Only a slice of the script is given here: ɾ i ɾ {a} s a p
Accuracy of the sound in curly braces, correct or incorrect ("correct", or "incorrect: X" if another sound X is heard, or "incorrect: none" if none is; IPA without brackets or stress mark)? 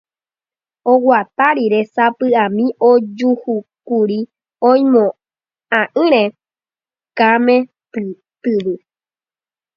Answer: incorrect: e